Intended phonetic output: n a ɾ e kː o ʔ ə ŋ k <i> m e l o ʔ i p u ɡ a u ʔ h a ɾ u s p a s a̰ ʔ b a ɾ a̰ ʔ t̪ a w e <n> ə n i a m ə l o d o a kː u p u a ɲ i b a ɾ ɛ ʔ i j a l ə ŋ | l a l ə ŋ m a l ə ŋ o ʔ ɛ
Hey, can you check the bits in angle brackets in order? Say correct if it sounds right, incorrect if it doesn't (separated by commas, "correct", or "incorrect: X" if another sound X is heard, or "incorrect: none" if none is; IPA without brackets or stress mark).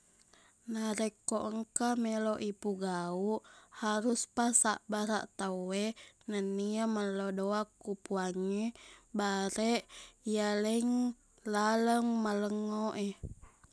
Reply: incorrect: a, correct